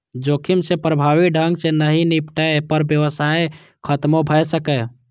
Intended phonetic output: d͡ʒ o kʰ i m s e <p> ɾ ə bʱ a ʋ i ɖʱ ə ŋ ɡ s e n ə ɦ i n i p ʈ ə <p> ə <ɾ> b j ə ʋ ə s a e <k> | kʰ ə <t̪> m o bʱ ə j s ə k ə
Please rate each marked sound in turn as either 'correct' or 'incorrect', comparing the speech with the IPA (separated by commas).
correct, correct, correct, incorrect, correct